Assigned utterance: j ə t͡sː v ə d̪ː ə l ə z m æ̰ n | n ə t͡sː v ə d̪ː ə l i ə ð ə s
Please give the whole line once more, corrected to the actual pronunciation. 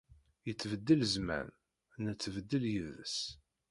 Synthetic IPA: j ə t͡sː v ə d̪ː ə l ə z m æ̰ n | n ə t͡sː v ə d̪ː ə l j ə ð ə s

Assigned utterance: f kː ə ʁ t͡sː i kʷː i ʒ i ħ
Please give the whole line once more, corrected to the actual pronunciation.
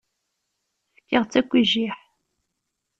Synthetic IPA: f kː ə ʁ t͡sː æ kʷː i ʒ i ħ

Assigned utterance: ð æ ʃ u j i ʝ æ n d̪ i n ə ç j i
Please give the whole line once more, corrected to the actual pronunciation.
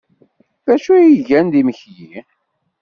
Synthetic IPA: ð æ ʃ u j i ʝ æ n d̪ i m ə ç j i

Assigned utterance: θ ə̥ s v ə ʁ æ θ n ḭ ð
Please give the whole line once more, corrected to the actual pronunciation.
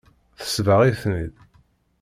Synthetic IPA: θ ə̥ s v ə ʁ i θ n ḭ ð

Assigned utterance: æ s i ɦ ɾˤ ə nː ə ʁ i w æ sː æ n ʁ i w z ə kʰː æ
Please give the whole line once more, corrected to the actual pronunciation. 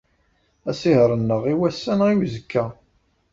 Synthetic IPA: æ s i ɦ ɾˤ ə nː ə ʁ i w æ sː æ n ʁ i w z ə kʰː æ

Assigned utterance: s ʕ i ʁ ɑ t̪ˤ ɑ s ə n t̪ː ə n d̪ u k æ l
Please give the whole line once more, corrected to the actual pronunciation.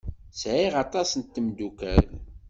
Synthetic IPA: s ʕ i ʁ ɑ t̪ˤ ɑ s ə n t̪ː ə m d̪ u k æ l

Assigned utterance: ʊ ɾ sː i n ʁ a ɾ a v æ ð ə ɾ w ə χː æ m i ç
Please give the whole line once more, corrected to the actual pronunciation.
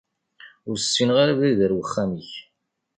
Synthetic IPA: ʊ ɾ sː i n ʁ a ɾ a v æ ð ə ɾ w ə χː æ m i ç

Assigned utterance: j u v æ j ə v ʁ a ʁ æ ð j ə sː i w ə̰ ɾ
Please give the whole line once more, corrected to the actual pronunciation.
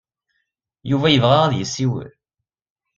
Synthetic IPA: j u v æ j ə v ʁ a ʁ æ ð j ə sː i w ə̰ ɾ

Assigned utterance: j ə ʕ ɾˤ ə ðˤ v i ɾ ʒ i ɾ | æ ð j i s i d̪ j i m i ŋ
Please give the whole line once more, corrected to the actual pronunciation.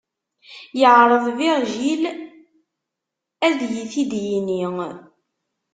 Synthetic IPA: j ə ʕ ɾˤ ə ðˤ v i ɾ ʒ i l | æ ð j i θ i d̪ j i n i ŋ

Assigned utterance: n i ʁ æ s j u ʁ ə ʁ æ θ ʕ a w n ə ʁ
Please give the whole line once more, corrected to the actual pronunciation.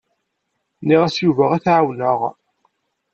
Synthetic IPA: n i ʁ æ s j u v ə ʁ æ θ ʕ a w n ə ʁ

